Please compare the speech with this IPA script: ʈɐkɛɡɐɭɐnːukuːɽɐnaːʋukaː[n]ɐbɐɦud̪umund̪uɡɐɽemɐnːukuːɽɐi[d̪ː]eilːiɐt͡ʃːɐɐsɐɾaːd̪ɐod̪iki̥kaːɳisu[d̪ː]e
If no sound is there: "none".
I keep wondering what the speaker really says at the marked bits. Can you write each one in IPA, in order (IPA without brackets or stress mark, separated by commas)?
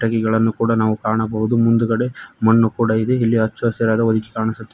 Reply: ɳ, d̪, t̪ː